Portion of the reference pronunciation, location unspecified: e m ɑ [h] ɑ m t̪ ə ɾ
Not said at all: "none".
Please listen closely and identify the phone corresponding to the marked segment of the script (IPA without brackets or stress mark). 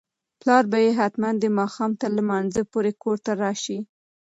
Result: x